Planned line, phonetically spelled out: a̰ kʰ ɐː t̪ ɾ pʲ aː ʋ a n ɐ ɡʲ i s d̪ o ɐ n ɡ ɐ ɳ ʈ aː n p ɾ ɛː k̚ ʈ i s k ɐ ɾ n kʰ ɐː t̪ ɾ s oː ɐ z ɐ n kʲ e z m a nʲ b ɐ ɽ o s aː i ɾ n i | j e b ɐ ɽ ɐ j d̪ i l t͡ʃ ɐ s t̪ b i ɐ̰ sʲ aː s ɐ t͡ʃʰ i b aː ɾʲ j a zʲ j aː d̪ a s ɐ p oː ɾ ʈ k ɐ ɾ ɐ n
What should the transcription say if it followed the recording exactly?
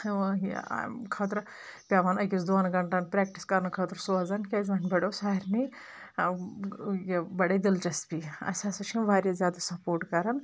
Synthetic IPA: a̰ kʰ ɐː t̪ ɾ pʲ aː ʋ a n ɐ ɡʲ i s d̪ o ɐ n ɡ ɐ ɳ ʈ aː n p ɾ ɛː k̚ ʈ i s k ɐ ɾ n kʰ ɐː t̪ ɾ s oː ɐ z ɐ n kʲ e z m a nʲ b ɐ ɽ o s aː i ɾ n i | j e b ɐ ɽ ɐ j d̪ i l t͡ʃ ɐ s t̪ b i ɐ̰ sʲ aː s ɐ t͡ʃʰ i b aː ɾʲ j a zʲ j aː d̪ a s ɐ p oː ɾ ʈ k ɐ ɾ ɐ n

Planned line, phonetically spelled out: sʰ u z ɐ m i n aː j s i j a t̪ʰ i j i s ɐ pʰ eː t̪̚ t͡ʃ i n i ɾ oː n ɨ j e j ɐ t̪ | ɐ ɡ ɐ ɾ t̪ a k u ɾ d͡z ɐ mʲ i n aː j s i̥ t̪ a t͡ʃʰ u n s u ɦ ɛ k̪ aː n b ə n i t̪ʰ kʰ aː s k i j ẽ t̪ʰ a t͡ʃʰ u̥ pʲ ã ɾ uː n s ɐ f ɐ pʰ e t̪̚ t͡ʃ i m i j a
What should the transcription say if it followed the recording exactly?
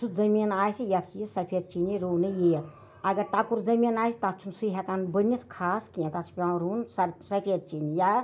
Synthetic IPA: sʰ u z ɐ m i n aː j s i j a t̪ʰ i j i s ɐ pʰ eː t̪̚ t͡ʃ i n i ɾ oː n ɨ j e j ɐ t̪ | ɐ ɡ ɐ ɾ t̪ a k u ɾ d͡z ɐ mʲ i n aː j s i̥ t̪ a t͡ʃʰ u n s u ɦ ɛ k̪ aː n b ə n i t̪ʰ kʰ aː s k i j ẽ t̪ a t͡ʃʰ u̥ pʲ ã ɾ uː n s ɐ s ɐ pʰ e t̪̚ t͡ʃ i n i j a

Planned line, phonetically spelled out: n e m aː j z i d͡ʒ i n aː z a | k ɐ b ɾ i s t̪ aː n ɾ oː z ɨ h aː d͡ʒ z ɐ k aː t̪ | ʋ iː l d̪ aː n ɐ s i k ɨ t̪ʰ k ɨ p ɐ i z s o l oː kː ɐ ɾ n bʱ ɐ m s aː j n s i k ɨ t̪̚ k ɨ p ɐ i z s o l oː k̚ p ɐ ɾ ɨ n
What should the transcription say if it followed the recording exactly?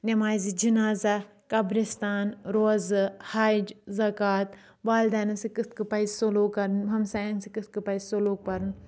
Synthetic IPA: n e m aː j z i d͡ʒ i n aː z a | k ɐ b ɾ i s t̪ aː n ɾ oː z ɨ h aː d͡ʒ z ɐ k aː t̪ | ʋ aː l d̪ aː n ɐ s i k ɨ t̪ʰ k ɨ p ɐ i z s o l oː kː ɐ ɾ n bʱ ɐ m s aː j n s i k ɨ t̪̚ k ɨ p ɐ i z s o l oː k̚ p ɐ ɾ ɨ n

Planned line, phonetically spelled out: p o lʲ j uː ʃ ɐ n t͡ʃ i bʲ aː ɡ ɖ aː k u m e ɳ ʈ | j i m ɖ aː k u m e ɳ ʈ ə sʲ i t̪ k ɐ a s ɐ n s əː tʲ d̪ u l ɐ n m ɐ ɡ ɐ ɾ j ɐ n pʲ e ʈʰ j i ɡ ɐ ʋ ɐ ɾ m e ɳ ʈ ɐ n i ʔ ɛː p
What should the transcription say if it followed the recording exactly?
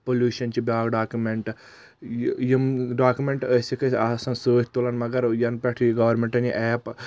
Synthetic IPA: p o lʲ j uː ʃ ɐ n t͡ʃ i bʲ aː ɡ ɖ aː k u m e ɳ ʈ | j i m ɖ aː k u m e ɳ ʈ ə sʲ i k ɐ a s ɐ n s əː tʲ t̪ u l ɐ n m ɐ ɡ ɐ ɾ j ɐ n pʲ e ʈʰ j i ɡ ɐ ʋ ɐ ɾ m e ɳ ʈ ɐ n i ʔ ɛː p

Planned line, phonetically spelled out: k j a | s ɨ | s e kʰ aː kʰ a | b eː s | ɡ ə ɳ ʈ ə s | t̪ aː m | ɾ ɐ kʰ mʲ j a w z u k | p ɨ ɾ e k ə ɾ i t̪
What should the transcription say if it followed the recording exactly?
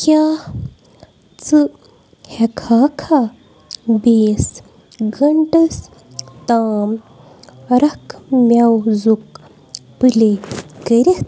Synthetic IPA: k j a | t͡s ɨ | h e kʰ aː kʰ a | b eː s | ɡ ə ɳ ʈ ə s | t̪ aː m | ɾ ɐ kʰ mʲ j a w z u k | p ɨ l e k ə ɾ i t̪

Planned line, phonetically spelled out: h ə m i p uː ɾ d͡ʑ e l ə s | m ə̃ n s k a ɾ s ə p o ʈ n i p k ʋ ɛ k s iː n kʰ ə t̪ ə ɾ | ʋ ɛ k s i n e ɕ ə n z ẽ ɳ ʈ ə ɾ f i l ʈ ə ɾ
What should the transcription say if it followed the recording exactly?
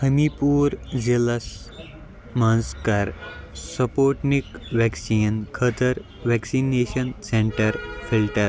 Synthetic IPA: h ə m i p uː ɾ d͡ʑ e l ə s | m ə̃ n s k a ɾ s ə p o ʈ n i k ʋ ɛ k s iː n kʰ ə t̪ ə ɾ | ʋ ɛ k s i n e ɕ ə n s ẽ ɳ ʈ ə ɾ f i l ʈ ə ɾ

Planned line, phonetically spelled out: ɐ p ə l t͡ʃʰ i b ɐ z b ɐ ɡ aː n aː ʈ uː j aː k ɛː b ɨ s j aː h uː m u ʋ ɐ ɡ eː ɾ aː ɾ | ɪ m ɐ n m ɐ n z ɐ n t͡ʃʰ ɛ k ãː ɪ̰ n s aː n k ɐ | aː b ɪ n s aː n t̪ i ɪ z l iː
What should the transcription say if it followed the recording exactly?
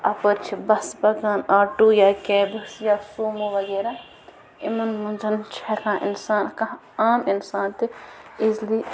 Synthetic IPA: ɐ p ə ɾ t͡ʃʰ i b ɐ s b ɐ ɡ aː n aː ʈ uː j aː k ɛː b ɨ s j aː s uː m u ʋ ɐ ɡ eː ɾ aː | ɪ m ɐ n m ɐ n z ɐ n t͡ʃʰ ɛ k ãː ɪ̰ n s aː n k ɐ | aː m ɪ n s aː n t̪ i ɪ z l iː

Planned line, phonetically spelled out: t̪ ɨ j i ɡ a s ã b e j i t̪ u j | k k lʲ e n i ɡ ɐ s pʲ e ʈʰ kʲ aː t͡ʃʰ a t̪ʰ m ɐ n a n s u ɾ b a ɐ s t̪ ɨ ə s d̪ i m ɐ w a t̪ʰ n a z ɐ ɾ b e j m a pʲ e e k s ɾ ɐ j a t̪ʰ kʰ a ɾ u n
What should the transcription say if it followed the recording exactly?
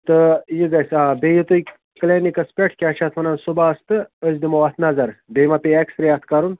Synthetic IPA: t̪ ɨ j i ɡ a s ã b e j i t̪ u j | k k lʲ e n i k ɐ s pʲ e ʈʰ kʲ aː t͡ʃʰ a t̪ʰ m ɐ n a n s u b a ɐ s t̪ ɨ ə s d̪ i m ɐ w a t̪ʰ n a z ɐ ɾ b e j m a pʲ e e k s ɾ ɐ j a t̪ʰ k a ɾ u n

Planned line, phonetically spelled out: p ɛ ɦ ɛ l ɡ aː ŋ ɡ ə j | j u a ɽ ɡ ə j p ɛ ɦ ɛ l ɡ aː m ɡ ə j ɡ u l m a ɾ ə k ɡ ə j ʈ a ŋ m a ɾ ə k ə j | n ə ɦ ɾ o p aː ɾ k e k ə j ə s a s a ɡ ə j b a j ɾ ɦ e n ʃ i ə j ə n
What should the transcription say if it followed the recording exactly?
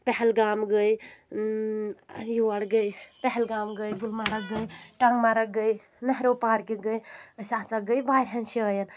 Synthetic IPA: p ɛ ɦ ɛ l ɡ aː m ɡ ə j | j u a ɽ ɡ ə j p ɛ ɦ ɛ l ɡ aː m ɡ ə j ɡ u l m a ɾ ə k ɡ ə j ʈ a ŋ m a ɾ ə ɡ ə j | n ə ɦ ɾ o p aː ɾ k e ɡ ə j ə s a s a ɡ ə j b a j ɾ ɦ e n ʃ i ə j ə n

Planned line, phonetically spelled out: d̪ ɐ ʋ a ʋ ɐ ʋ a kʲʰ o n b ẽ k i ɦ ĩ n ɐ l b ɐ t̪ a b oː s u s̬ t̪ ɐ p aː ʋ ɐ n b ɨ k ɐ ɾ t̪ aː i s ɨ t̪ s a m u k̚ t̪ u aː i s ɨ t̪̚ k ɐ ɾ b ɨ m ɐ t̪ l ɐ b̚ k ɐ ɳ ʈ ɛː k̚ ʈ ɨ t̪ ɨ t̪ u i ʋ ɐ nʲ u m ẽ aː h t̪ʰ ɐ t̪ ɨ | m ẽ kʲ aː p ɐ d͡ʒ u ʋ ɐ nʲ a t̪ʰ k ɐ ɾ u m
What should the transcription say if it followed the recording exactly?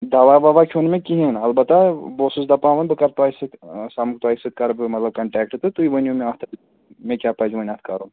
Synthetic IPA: d̪ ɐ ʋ a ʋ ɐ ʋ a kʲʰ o n m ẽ k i ɦ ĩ n ɐ l b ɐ t̪ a b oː s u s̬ d̪ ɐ p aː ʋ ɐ n b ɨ k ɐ ɾ t̪ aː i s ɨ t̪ s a m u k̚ t̪ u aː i s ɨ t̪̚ k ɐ ɾ b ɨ m ɐ t̪ l ɐ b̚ k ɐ ɳ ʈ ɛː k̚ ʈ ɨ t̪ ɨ t̪ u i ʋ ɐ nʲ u m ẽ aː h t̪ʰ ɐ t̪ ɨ | m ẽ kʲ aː p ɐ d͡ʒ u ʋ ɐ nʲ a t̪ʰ k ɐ ɾ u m

